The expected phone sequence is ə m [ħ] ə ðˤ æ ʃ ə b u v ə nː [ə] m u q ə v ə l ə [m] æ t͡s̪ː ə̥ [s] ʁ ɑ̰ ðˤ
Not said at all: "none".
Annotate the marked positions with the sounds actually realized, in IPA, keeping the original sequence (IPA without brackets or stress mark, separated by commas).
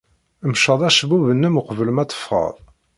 ʃ, ə, m, f